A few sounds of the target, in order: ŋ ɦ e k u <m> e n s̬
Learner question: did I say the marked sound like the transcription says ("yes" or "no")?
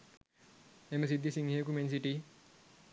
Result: yes